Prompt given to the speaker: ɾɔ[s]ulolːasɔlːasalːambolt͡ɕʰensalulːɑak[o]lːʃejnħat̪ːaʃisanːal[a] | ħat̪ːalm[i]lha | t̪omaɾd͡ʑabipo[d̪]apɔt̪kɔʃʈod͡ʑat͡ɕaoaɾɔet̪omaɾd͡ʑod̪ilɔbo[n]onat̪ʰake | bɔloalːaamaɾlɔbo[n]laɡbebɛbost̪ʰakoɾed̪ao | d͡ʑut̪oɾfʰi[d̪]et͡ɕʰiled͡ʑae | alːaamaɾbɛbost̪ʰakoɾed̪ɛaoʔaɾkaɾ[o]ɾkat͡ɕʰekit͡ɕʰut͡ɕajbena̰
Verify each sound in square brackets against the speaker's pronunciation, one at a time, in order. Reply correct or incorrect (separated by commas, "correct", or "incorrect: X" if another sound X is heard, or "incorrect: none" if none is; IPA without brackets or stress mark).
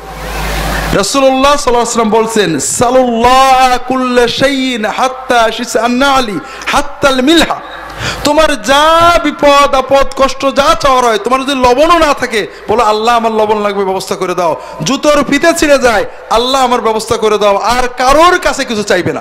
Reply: correct, incorrect: u, incorrect: i, correct, correct, correct, correct, incorrect: t̪, correct